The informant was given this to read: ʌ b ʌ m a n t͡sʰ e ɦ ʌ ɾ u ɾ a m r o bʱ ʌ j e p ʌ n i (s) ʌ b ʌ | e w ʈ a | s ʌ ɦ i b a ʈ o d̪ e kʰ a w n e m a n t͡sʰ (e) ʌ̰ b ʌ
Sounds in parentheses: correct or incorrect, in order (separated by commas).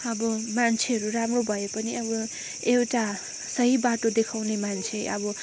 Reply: incorrect, correct